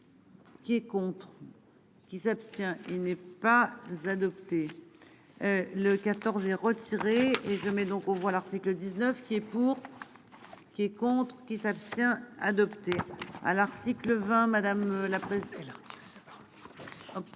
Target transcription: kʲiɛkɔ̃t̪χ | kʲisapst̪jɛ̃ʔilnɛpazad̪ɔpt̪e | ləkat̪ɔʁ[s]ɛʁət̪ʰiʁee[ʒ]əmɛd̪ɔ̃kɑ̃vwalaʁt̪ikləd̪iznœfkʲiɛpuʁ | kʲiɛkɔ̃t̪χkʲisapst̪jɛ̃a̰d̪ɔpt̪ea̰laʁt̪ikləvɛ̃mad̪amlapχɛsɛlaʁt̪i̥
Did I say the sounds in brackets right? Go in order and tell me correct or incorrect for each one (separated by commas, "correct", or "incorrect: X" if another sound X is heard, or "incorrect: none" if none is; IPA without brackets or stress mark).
incorrect: z, correct